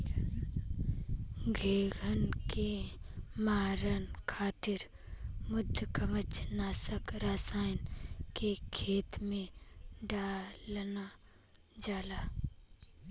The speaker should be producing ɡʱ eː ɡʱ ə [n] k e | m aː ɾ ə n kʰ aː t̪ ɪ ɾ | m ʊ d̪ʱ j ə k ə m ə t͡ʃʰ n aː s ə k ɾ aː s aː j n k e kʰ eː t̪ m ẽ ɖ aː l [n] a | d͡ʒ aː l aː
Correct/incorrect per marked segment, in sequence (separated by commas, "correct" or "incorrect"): correct, correct